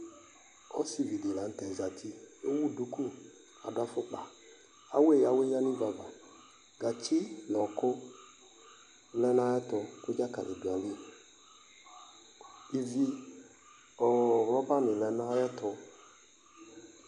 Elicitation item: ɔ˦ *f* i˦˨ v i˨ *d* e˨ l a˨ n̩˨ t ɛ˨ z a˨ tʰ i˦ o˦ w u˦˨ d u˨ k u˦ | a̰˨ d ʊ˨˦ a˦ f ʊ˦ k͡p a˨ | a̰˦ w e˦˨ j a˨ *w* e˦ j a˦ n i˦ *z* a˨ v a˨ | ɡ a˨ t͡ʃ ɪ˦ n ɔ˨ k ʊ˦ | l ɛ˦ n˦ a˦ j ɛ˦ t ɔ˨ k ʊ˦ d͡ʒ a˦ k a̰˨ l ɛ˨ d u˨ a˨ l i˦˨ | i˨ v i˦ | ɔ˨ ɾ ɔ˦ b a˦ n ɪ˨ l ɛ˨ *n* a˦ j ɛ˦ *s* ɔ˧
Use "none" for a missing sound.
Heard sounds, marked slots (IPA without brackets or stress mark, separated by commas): s, d, w, v, n, t